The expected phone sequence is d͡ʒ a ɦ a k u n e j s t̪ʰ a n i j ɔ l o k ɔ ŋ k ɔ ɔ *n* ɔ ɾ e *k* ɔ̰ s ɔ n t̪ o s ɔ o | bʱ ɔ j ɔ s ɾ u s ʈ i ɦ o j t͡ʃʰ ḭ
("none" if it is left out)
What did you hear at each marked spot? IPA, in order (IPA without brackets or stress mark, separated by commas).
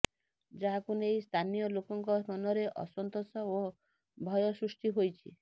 n, ʔ